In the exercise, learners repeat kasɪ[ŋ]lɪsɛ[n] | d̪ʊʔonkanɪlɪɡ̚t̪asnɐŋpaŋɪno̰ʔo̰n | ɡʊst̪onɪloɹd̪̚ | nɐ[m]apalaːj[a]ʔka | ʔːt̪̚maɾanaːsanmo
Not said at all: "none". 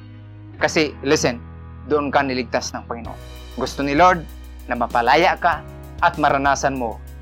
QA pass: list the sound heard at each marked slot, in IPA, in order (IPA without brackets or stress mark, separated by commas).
none, n, m, a